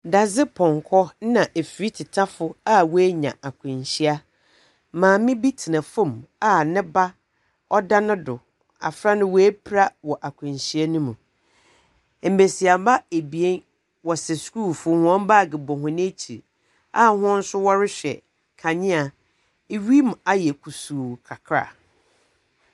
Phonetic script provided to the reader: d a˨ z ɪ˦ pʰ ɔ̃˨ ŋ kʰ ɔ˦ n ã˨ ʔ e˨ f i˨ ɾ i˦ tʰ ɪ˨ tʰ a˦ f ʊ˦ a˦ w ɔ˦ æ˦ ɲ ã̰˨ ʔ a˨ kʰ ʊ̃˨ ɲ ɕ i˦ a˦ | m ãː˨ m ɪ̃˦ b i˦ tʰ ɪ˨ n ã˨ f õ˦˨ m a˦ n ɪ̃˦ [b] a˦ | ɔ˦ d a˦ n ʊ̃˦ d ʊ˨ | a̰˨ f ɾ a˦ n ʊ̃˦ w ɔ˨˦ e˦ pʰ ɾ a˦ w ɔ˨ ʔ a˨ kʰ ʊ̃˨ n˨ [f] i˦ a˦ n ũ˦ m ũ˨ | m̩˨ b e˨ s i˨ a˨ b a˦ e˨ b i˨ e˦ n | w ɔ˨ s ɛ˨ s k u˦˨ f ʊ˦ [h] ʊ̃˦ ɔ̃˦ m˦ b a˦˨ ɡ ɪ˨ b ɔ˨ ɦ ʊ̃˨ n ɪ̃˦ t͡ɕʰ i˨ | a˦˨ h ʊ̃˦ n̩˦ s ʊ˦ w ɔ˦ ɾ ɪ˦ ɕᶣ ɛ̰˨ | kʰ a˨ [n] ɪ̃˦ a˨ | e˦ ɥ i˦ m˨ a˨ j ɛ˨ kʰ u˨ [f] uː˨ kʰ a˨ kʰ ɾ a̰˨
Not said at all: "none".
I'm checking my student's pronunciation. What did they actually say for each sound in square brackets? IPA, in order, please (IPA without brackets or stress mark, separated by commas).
b, ɕ, h, ɲ, s